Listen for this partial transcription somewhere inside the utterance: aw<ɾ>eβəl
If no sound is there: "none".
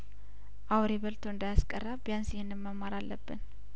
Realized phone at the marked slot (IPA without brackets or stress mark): ɾ